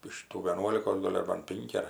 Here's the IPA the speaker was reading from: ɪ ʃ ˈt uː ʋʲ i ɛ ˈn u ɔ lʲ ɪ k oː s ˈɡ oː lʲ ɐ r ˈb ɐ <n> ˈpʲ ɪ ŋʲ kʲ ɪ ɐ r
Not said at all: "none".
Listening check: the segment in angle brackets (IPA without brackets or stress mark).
n